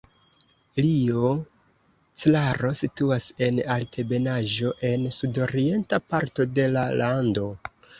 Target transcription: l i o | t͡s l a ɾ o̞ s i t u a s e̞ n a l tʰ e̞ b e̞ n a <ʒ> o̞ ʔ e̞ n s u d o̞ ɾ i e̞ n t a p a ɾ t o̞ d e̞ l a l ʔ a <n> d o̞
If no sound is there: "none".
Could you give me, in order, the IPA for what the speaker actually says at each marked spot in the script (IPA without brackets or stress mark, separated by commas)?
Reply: ʒ, n